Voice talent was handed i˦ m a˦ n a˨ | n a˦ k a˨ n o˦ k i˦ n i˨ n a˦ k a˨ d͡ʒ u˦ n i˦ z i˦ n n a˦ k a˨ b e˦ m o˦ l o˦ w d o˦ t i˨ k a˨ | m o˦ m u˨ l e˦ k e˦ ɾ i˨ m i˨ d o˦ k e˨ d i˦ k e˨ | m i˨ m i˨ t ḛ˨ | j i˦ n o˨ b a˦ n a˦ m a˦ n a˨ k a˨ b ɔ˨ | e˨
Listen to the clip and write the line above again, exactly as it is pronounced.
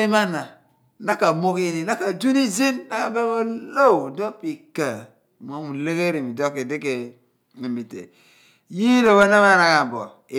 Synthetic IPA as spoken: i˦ m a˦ n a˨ | n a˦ k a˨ m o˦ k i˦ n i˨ n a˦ k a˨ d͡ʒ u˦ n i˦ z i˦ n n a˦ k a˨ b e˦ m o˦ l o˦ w d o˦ p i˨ k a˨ | m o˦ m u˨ l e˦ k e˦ ɾ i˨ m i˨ d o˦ k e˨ d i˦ k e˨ | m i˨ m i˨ t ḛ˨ | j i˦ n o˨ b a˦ n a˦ m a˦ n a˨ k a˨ b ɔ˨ | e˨

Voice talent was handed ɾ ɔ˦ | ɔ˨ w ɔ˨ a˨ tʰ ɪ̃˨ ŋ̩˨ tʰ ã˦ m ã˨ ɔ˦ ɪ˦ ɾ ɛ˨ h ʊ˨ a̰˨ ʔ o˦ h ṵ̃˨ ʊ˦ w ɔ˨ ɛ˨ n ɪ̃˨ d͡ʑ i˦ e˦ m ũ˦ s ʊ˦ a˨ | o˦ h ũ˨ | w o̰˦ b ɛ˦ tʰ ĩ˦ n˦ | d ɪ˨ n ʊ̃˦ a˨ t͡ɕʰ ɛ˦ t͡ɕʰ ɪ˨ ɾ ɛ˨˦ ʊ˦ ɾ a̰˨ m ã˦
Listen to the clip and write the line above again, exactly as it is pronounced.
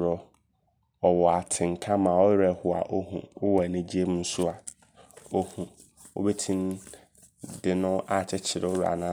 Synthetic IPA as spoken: ɾ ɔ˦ | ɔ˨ w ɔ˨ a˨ tʰ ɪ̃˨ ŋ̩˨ kʰ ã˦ m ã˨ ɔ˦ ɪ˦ ɾ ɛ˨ h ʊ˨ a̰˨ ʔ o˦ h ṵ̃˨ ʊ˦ w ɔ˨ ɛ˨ n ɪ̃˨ d͡ʑ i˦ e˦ m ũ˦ s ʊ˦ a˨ | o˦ h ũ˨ | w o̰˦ b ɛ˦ tʰ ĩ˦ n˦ | d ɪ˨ n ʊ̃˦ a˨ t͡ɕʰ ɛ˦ t͡ɕʰ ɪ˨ ɾ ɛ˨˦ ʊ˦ ɾ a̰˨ n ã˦

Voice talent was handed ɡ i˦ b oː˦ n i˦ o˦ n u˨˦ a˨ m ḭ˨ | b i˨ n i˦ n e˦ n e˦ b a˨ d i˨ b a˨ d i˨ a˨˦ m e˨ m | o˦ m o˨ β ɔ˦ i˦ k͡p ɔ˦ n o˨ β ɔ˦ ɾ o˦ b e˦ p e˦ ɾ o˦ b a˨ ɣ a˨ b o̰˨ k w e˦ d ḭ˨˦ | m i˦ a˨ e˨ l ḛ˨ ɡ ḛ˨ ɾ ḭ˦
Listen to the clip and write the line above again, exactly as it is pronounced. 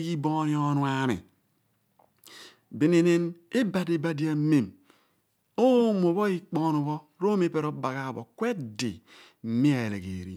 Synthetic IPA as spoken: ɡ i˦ b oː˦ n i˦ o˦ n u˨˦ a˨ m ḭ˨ | b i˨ n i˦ n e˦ n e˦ b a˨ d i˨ b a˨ d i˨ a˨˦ m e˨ m | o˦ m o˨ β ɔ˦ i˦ k͡p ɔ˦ n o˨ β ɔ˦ ɾ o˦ m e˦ p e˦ ɾ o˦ b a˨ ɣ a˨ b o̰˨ k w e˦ d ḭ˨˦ | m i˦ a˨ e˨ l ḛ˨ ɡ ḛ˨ ɾ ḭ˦

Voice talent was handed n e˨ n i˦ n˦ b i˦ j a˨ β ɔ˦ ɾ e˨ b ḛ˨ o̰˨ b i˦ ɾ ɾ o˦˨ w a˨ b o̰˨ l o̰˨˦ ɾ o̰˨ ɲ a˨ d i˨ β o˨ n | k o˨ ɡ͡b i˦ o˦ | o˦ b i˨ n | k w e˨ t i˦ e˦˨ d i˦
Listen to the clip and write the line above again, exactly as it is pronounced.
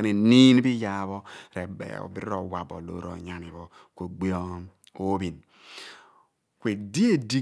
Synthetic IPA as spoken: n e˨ n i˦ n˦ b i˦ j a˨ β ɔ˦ ɾ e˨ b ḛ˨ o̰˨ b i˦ ɾ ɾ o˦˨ w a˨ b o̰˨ l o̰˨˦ ɾ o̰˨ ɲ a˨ n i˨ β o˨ | k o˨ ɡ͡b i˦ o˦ | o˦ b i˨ n | k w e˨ d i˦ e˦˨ d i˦

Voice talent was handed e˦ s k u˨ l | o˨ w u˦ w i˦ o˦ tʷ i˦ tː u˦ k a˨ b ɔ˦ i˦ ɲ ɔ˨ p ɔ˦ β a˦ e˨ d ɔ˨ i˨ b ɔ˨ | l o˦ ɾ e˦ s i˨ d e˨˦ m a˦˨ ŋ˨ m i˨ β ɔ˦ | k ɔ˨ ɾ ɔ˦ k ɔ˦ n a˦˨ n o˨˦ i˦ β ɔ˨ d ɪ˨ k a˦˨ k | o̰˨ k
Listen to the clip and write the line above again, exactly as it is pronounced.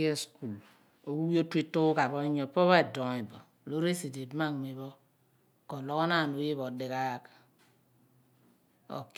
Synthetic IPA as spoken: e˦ s k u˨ l | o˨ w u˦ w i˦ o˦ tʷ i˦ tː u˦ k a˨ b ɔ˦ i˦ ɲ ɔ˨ p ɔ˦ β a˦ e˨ d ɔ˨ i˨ b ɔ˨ | l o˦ ɾ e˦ s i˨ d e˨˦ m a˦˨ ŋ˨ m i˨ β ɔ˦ | k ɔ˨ l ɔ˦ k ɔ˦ n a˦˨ n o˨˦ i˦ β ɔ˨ d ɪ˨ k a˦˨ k | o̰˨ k

